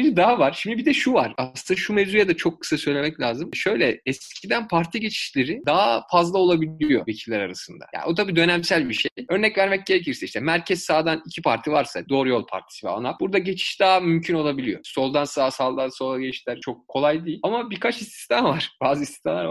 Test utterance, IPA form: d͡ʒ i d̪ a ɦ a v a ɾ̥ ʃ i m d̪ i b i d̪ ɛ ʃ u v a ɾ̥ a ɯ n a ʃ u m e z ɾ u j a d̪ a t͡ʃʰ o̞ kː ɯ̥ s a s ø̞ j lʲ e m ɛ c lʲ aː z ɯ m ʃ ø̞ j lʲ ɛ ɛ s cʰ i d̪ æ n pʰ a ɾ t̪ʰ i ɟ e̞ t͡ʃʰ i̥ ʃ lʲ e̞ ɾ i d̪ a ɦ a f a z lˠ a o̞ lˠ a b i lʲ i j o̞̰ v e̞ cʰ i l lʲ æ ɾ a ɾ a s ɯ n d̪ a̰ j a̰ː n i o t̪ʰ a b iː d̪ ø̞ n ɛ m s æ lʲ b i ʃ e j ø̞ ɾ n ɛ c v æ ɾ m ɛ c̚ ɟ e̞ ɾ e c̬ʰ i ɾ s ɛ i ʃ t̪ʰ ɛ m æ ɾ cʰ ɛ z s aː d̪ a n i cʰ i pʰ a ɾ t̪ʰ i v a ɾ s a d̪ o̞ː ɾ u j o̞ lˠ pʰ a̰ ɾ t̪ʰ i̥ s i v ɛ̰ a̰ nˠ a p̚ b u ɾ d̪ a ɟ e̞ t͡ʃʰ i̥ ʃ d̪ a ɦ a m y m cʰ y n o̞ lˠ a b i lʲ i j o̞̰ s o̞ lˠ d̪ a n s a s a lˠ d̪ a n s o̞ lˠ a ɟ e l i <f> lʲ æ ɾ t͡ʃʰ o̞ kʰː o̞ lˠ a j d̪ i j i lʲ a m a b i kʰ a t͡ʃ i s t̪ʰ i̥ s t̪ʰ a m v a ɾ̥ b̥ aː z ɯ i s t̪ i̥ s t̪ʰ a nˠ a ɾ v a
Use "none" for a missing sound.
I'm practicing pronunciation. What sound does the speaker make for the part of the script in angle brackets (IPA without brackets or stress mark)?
ʃ